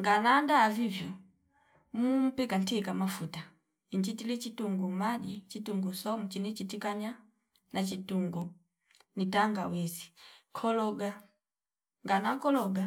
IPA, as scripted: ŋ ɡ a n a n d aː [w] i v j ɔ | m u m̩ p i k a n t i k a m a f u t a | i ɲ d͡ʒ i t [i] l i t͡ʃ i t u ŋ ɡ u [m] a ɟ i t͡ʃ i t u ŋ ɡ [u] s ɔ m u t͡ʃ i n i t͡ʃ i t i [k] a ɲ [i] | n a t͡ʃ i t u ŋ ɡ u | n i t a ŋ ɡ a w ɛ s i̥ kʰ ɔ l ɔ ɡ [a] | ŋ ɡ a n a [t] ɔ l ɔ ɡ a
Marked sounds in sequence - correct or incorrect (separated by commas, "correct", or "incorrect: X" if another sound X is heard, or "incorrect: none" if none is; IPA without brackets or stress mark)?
incorrect: v, correct, correct, correct, correct, incorrect: a, correct, incorrect: k